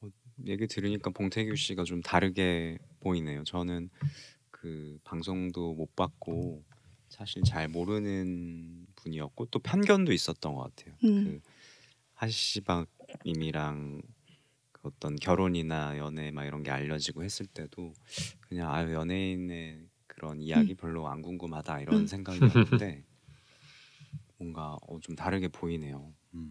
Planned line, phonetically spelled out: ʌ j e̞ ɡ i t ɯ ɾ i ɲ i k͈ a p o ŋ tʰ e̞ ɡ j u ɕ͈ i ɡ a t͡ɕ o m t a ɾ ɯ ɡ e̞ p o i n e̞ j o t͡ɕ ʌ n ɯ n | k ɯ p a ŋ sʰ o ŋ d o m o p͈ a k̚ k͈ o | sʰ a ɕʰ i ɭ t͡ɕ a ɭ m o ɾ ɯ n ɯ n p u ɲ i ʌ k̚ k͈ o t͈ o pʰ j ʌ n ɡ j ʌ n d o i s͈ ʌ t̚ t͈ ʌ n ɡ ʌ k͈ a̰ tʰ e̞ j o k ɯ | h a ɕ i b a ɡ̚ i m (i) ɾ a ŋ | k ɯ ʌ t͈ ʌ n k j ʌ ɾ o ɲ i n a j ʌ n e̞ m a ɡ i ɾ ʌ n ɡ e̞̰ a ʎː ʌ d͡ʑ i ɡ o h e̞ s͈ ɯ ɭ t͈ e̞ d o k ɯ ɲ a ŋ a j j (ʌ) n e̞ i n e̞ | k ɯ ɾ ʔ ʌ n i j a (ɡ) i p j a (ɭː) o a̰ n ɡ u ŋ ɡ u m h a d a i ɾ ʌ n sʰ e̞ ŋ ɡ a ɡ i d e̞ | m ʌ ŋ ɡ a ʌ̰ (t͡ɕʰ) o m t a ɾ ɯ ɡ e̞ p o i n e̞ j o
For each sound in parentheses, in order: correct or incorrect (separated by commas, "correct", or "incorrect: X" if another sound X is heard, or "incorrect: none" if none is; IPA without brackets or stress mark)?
correct, correct, correct, correct, incorrect: t͡ɕ